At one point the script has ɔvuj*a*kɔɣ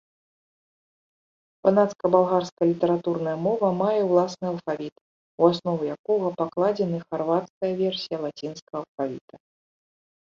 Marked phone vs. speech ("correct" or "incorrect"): correct